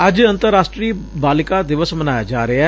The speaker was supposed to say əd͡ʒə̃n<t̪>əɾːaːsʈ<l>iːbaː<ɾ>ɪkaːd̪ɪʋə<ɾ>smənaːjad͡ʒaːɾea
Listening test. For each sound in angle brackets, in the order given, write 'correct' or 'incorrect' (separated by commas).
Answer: correct, incorrect, incorrect, incorrect